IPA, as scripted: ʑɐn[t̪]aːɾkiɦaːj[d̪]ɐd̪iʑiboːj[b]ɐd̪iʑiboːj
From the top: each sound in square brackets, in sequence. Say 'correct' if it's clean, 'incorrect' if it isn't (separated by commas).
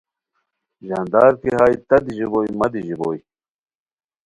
incorrect, incorrect, incorrect